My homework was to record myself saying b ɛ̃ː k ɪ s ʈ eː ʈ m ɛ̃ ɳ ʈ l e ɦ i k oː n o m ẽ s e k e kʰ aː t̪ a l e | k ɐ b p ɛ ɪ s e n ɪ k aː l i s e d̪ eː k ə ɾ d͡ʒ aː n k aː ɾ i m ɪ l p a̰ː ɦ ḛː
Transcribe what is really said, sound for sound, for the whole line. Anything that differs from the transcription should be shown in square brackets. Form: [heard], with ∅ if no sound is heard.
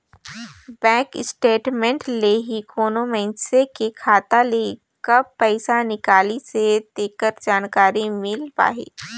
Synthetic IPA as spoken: b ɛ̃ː k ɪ s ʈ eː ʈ m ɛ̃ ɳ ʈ l e ɦ i k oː n o m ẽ s e k e kʰ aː t̪ a l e | k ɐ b p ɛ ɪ s [a] n ɪ k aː l i s e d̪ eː k ə ɾ d͡ʒ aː n k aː ɾ i m ɪ l p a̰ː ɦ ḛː